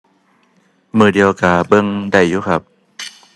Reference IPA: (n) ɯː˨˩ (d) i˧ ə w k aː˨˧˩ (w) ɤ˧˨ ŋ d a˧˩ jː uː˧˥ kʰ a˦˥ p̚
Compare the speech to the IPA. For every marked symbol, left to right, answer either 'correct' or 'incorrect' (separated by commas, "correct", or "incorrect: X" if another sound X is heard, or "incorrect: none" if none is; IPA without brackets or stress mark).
incorrect: m, correct, incorrect: b